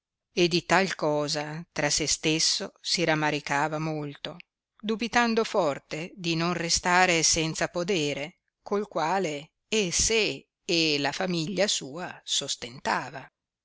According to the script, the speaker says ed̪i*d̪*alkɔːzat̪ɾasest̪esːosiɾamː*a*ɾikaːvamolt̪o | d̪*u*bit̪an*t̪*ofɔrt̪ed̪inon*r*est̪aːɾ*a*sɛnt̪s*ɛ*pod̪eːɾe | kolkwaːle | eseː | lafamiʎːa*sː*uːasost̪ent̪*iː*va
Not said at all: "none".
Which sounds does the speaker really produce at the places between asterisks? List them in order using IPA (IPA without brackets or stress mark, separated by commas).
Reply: t̪, a, u, d̪, r, e, a, s, aː